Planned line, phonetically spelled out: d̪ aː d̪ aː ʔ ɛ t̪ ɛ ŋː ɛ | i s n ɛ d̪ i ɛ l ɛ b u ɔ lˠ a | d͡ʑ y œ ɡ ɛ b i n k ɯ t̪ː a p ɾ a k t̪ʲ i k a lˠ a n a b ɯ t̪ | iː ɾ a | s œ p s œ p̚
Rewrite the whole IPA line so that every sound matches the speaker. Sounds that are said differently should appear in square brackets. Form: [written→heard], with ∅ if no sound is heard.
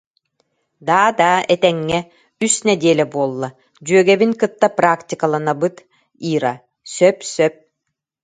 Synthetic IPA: d̪ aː d̪ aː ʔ ɛ t̪ ɛ ŋː ɛ | [i→y] s n ɛ d̪ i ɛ l ɛ b u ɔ [lˠ→lˠː] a | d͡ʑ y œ ɡ ɛ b i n k ɯ t̪ː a p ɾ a k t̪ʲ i k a lˠ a n a b ɯ t̪ | iː ɾ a | s œ p s œ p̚

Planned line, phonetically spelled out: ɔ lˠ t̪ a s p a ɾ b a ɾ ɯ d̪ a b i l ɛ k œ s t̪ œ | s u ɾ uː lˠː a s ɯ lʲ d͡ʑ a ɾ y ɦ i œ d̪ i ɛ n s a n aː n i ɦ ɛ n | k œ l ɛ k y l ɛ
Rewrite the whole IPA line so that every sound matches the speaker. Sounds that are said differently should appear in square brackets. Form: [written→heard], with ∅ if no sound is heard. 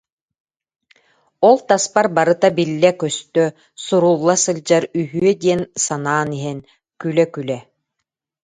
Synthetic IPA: ɔ lˠ t̪ a s p a ɾ b a ɾ ɯ [d̪→t̪] a b i [l→lː] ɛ k œ s t̪ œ | s u ɾ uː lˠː a s ɯ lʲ d͡ʑ a ɾ y ɦ [i→y] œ d̪ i ɛ n s a n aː n i ɦ ɛ n | k [œ→y] l ɛ k y l ɛ

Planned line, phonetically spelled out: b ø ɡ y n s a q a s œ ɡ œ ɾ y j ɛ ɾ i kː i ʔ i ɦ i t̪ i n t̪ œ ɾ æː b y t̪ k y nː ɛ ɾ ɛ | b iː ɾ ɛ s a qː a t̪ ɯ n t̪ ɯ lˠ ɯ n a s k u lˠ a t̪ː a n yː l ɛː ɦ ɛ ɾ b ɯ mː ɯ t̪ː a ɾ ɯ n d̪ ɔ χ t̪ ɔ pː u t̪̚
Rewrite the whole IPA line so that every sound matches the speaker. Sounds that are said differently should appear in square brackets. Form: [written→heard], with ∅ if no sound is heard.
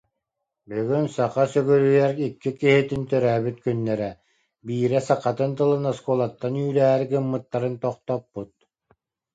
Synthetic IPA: b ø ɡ y n s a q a s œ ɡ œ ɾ y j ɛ ɾ i kː i [ʔ→k] i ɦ i t̪ i n t̪ œ ɾ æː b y t̪ k y nː ɛ ɾ ɛ | b iː ɾ ɛ s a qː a t̪ ɯ n t̪ ɯ lˠ ɯ n a s k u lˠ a t̪ː a n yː l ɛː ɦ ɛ ɾ [b→ɡ] ɯ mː ɯ t̪ː a ɾ ɯ n [d̪→t̪] ɔ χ t̪ ɔ pː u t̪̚

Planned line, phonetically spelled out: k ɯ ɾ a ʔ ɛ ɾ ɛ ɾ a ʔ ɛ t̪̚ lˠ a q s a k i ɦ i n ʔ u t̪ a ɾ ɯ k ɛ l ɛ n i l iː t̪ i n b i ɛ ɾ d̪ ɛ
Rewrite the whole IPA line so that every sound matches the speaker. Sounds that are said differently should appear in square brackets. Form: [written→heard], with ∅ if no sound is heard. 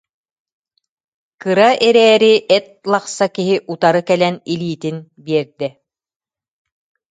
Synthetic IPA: k ɯ ɾ a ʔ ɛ ɾ [ɛ→ɛː] ɾ [a→i] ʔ ɛ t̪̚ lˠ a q s a k i ɦ i [n→∅] ʔ u t̪ a ɾ ɯ k ɛ l ɛ n i l iː t̪ i n b i ɛ ɾ d̪ ɛ

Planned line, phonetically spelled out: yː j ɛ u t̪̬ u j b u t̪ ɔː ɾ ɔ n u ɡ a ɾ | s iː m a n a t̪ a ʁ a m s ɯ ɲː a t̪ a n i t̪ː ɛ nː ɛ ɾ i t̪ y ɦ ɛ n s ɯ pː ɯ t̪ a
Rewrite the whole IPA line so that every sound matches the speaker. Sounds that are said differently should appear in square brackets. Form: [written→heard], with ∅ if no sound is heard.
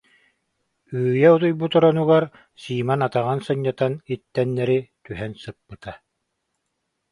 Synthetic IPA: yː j ɛ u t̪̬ u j b u t̪ [ɔː→ɔ] ɾ ɔ n u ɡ a ɾ | s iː m a n a t̪ a ʁ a [m→n] s ɯ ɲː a t̪ a n i t̪ː ɛ nː ɛ ɾ i t̪ y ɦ ɛ n s ɯ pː ɯ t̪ a

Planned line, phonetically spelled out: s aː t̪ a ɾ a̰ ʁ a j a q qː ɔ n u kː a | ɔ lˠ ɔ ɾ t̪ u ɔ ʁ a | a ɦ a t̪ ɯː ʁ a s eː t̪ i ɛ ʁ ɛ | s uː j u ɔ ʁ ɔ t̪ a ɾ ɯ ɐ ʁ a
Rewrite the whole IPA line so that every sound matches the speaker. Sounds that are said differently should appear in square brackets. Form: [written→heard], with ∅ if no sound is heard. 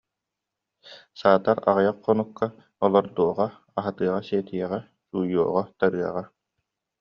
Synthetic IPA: s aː t̪ a ɾ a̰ ʁ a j a q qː ɔ n u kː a | ɔ lˠ ɔ ɾ [t̪→d̪] u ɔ ʁ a | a ɦ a t̪ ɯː ʁ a s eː t̪ i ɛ ʁ ɛ | s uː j u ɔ ʁ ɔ t̪ a ɾ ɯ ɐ ʁ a

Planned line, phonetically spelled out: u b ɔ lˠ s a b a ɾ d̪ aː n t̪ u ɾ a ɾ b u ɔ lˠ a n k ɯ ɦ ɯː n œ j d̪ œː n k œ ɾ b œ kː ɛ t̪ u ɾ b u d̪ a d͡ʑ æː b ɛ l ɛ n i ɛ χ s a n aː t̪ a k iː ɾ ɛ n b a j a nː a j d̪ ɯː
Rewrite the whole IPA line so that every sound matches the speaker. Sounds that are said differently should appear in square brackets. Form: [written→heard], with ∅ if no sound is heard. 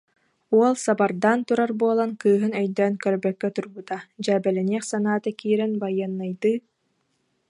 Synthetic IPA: u [b→∅] ɔ lˠ s a b a ɾ d̪ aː n t̪ u ɾ a ɾ b u ɔ lˠ a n k [ɯ→ɯː] ɦ [ɯː→ɯ] n œ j d̪ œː n k œ ɾ b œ kː ɛ t̪ u ɾ b u [d̪→t̪] a d͡ʑ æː b ɛ l ɛ n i ɛ χ s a n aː t̪ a k iː ɾ ɛ n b a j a nː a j d̪ ɯː

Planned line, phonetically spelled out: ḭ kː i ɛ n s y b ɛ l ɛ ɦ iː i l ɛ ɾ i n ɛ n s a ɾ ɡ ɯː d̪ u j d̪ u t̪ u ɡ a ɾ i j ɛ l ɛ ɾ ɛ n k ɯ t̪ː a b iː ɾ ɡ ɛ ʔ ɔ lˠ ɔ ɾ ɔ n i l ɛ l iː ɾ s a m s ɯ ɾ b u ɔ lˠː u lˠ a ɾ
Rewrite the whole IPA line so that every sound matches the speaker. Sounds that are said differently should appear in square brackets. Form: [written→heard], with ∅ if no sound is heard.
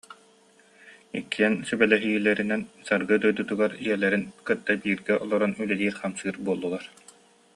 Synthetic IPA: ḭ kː i ɛ n s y b ɛ l ɛ ɦ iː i l ɛ ɾ i n ɛ n s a ɾ ɡ [ɯː→ɯ] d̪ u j d̪ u t̪ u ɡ a ɾ i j ɛ l ɛ ɾ [ɛ→i] n k ɯ t̪ː a b iː ɾ ɡ ɛ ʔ ɔ lˠ ɔ ɾ ɔ n [i→y] l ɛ l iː ɾ [s→χ] a m s [ɯ→ɯː] ɾ b u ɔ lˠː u lˠ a ɾ

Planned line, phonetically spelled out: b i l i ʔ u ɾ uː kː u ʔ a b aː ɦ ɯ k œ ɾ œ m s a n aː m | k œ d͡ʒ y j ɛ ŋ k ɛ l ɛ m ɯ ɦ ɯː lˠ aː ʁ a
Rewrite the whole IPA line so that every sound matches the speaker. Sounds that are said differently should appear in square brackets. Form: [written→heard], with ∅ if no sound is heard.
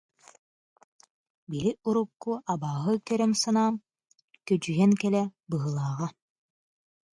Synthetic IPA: b i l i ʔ u ɾ [uː→u] kː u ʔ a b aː ɦ ɯ k œ ɾ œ m s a n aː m | k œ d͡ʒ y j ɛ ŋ k ɛ l ɛ [m→b] ɯ ɦ [ɯː→ɯ] lˠ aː ʁ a

